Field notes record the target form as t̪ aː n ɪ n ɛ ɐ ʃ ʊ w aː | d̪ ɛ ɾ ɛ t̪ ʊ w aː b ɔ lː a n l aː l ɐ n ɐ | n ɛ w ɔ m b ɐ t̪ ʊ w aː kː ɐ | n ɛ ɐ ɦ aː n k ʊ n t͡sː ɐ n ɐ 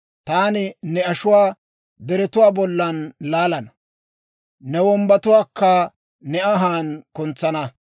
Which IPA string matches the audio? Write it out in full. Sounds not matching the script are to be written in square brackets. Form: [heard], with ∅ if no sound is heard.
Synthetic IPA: t̪ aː n ɪ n ɛ ɐ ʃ ʊ w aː | d̪ ɛ ɾ ɛ t̪ ʊ w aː b ɔ lː [ɐ] n l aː l ɐ n ɐ | n ɛ w ɔ m b ɐ t̪ ʊ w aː kː ɐ | n ɛ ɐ ɦ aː n k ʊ n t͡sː ɐ n ɐ